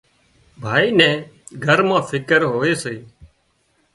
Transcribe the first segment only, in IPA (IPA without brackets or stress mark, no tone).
bʱ